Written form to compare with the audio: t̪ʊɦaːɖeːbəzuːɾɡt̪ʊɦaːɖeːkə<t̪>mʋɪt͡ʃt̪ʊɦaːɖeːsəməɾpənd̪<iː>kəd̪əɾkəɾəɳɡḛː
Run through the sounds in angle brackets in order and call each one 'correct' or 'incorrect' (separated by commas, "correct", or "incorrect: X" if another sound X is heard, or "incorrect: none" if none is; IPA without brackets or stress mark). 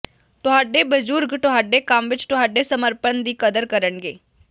incorrect: none, correct